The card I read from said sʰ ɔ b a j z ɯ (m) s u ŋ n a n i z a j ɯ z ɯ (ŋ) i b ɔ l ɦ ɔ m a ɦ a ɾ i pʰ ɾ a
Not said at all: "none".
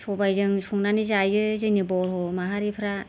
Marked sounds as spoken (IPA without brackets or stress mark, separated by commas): ŋ, n